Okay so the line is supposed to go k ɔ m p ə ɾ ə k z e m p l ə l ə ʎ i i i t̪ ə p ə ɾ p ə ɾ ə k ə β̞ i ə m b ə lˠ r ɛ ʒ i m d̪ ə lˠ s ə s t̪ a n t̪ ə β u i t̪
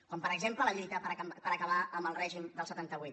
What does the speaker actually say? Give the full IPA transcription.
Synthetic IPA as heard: k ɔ m p ə ɾ ə ɡ z e m p l ə l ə ʎ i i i t̪ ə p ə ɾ p ə ɾ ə k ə β̞ a ə m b ə lˠ r ɛ ʒ i m d̪ ə lˠ s ə t̪ a n t̪ ə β u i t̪